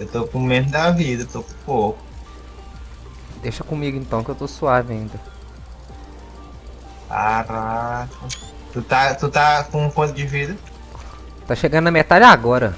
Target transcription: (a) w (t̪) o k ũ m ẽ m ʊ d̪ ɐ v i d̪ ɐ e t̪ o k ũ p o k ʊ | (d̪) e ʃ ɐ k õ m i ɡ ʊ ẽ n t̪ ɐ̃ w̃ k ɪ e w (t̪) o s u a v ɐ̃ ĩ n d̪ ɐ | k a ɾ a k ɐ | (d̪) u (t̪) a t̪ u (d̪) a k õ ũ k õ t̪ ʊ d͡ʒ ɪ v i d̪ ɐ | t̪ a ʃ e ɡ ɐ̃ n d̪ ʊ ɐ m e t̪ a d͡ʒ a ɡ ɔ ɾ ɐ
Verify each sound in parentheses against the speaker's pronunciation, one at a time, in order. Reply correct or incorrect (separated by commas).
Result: incorrect, correct, correct, correct, incorrect, correct, incorrect